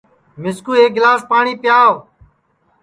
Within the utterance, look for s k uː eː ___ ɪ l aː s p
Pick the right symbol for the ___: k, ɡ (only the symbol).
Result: ɡ